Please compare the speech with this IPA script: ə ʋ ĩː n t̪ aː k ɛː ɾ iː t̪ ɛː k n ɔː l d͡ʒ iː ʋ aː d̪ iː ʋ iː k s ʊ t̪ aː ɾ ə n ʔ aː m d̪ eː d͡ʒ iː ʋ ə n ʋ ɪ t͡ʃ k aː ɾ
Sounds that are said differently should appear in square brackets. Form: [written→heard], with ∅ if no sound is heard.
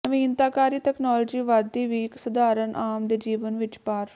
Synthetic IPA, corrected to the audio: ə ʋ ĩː n t̪ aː k [ɛː→aː] ɾ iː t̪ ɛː k n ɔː l d͡ʒ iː ʋ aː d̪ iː ʋ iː k s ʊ [t̪→d̪] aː ɾ ə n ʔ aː m d̪ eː d͡ʒ iː ʋ ə n ʋ ɪ t͡ʃ [k→p] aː ɾ